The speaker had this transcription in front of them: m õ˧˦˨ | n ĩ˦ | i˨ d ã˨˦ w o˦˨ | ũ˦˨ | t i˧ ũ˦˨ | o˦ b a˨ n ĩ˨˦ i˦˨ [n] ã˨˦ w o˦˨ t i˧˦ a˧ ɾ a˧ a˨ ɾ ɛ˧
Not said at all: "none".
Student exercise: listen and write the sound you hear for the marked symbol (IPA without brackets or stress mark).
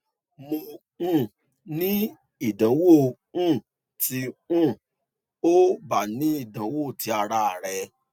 d